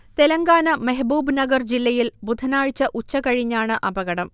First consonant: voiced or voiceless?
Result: voiceless